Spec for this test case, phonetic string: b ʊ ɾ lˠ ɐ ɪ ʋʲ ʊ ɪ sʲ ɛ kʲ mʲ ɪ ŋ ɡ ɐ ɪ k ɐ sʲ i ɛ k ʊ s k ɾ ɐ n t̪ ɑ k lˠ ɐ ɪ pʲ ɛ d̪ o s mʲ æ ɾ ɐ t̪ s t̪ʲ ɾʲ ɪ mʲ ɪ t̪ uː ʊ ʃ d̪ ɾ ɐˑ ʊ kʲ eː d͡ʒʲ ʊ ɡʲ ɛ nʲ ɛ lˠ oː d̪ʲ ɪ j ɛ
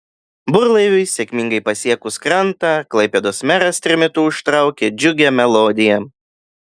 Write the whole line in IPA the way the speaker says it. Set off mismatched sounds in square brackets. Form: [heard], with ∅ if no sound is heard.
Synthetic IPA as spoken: b ʊ ɾ lˠ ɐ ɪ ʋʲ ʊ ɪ sʲ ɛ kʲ mʲ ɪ ŋ ɡ ɐ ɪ [p] ɐ sʲ i ɛ k ʊ s k ɾ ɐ n t̪ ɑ k lˠ ɐ ɪ pʲ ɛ d̪ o s mʲ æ ɾ ɐ [∅] s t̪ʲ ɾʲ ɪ mʲ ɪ t̪ uː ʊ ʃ [t̪] ɾ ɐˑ ʊ kʲ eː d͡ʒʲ ʊ ɡʲ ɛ [mʲ] ɛ lˠ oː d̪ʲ ɪ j ɛ